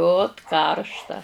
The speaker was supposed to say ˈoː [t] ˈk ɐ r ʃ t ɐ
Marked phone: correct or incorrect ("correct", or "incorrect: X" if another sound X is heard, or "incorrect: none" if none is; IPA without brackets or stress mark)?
correct